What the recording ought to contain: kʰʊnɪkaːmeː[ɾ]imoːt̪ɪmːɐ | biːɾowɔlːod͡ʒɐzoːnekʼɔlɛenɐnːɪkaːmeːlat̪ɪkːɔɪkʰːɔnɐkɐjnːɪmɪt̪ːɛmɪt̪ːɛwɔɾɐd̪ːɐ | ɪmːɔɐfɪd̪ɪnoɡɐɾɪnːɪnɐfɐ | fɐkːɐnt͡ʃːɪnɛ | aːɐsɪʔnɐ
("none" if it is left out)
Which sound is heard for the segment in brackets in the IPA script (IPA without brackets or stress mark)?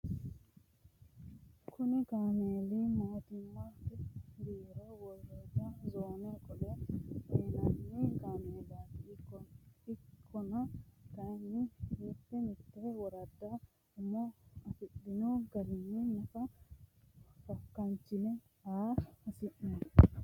l